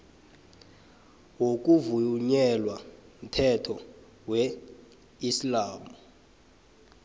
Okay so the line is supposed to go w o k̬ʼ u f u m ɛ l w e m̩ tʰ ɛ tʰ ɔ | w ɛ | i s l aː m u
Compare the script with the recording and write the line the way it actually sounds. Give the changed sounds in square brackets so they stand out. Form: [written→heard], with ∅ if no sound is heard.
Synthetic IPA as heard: w o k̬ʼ u [f→v] u [m→ɲ] ɛ l w [e→a] m̩ tʰ ɛ tʰ ɔ | w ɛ | i s l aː m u